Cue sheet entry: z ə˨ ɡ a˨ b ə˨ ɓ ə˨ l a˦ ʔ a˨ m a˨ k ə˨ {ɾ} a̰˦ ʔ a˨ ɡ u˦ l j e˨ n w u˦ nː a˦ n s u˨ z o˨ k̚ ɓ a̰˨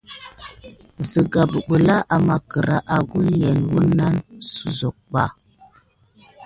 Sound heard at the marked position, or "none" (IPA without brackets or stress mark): ɾ